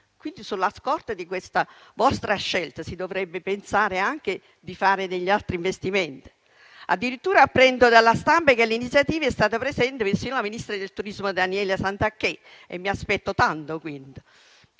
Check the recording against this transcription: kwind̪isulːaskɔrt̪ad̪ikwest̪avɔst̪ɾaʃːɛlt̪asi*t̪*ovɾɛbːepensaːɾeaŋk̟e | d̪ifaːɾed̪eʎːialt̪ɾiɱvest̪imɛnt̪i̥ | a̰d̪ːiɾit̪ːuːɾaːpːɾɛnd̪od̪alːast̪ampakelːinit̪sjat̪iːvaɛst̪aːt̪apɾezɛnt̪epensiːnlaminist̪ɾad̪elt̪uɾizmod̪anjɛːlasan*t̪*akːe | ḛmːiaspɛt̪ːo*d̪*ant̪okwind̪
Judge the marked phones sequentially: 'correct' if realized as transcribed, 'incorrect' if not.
incorrect, correct, incorrect

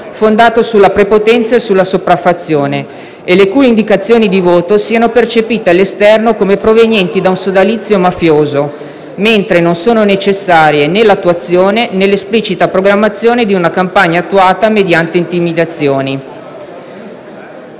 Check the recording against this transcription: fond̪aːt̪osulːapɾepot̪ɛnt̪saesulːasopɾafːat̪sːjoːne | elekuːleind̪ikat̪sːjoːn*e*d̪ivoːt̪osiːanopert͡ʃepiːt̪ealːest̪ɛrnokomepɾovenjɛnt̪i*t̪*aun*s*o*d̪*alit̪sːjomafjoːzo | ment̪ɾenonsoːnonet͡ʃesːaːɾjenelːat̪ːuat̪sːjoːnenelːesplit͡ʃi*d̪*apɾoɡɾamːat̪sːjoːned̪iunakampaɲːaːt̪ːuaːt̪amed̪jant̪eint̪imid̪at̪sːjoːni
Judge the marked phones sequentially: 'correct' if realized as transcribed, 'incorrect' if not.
incorrect, incorrect, correct, correct, incorrect

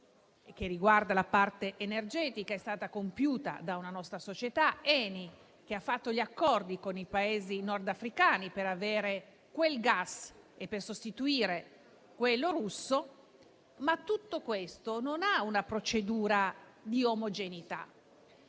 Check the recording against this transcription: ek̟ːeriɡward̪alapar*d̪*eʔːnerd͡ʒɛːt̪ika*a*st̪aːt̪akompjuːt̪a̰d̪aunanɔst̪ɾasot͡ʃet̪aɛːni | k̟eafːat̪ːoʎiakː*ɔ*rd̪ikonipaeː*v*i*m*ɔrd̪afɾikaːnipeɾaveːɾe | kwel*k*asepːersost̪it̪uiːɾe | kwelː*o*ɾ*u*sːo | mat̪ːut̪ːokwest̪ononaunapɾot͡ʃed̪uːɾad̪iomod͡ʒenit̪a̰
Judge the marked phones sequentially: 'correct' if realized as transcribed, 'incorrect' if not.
incorrect, incorrect, correct, incorrect, incorrect, incorrect, correct, correct

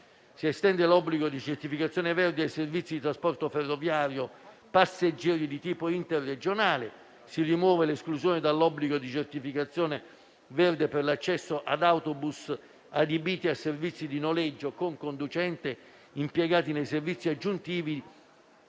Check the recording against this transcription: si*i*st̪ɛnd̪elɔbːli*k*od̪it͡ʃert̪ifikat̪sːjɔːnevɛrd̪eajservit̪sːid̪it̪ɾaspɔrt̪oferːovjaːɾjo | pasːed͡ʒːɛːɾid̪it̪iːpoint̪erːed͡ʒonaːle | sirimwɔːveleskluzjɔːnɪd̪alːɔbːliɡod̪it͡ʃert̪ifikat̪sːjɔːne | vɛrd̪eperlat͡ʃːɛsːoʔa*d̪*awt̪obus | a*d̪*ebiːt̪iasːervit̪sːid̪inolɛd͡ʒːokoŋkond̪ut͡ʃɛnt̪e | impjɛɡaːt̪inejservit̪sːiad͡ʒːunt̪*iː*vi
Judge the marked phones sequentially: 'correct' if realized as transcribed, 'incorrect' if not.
incorrect, incorrect, correct, correct, correct

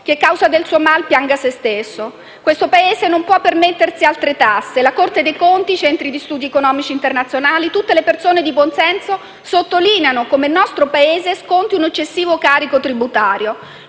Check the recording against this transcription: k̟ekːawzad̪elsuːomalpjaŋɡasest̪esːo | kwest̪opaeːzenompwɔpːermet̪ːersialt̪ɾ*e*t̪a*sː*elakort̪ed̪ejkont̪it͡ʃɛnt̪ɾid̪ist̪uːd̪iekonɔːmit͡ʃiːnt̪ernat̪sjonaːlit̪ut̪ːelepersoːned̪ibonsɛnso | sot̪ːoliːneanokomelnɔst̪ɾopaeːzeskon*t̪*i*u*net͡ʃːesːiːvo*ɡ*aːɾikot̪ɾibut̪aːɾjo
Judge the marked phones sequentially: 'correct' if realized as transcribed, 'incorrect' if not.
correct, correct, correct, correct, incorrect

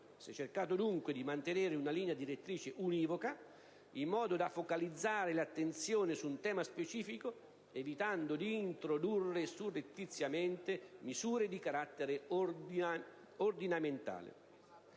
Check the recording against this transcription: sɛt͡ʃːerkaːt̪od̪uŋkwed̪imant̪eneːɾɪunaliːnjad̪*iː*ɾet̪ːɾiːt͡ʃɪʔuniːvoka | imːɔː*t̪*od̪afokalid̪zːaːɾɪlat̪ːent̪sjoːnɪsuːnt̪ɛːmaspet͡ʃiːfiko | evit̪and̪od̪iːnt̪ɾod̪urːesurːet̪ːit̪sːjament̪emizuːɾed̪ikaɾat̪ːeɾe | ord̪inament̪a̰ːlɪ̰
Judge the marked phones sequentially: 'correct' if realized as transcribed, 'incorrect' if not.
incorrect, incorrect

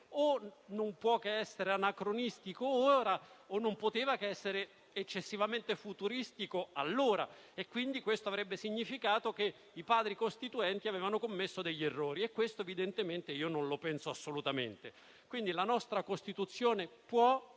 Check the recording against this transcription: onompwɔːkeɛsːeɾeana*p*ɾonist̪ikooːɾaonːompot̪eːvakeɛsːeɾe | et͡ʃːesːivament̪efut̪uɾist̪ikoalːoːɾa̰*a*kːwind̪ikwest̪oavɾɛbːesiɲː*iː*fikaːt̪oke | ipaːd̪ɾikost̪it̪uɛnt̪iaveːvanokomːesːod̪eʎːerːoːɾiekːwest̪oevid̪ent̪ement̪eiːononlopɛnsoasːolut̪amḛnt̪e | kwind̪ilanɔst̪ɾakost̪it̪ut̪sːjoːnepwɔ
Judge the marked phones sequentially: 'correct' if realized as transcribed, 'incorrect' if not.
incorrect, incorrect, incorrect

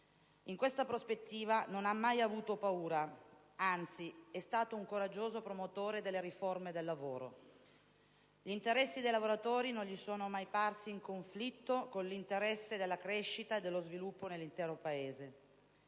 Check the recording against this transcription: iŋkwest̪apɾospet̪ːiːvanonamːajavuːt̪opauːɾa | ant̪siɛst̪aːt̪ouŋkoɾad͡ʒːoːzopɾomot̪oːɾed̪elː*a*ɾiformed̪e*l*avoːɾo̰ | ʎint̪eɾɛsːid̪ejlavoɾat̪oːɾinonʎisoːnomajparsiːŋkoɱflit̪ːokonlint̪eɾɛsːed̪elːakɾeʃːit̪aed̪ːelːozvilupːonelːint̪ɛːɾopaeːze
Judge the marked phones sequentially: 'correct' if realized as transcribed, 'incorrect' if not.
incorrect, incorrect

